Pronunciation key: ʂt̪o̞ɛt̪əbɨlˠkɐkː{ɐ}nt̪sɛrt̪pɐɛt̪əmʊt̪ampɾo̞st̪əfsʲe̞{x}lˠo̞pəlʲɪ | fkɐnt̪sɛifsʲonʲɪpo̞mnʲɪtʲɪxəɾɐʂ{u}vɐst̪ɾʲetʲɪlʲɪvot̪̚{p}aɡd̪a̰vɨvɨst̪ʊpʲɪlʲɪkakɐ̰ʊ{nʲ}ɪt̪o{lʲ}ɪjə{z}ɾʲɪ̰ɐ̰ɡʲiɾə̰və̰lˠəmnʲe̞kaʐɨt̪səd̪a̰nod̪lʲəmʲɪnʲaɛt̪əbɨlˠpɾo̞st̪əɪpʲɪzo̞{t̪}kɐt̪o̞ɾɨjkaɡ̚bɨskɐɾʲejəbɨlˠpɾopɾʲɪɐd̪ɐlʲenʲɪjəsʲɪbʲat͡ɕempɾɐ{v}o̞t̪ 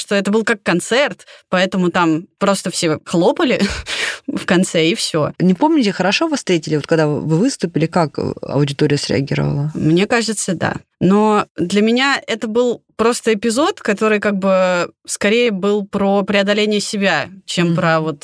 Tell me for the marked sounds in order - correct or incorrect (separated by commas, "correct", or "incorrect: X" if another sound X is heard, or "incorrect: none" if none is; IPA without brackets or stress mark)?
correct, correct, incorrect: o, incorrect: k, incorrect: dʲ, incorrect: ɾʲ, incorrect: s, correct, correct